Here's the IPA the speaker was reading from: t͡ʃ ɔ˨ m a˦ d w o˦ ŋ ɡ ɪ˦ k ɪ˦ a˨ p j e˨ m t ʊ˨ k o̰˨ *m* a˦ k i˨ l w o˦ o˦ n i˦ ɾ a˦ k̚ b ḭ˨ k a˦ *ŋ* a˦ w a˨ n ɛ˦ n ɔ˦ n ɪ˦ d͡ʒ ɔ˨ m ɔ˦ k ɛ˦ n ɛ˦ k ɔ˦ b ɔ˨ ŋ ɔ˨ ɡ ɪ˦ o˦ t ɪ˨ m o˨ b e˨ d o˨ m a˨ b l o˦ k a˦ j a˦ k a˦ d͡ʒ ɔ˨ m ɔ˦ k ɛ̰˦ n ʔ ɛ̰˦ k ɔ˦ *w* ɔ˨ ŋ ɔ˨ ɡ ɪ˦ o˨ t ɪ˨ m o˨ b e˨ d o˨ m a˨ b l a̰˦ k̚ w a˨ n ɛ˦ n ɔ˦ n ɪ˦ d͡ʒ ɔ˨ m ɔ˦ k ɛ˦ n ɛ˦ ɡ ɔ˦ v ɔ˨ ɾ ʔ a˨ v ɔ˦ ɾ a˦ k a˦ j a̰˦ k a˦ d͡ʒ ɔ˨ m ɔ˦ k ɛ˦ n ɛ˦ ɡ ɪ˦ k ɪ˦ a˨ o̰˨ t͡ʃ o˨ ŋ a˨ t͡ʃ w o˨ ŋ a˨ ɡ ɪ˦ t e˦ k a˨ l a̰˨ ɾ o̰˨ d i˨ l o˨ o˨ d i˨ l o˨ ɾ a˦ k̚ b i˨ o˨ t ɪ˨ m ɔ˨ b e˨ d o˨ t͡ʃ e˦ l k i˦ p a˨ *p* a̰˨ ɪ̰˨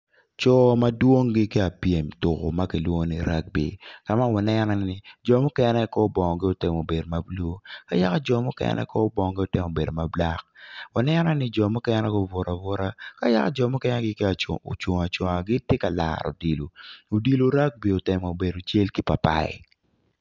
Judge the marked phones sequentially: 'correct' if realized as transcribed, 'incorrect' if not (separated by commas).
correct, incorrect, incorrect, correct